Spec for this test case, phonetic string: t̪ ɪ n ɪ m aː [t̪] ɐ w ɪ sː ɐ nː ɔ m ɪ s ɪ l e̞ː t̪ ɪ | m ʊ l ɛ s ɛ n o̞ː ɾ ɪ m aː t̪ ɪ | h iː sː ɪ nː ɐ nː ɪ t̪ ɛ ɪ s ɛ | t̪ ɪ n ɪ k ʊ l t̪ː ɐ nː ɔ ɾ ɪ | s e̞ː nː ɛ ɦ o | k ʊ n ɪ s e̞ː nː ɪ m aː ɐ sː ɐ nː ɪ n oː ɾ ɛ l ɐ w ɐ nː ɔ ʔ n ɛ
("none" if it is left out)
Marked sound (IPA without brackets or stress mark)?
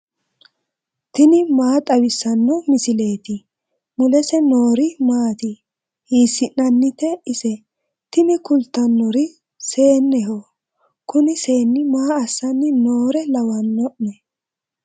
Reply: t̪ʼ